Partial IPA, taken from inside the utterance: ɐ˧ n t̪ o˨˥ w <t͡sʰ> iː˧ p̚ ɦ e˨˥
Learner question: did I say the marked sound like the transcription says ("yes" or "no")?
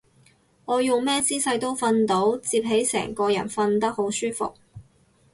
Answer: no